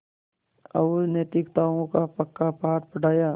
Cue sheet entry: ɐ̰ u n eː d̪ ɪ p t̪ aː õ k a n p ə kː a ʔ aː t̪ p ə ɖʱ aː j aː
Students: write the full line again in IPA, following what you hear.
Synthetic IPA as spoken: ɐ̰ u n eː t̪ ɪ k t̪ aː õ k a p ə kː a p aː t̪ p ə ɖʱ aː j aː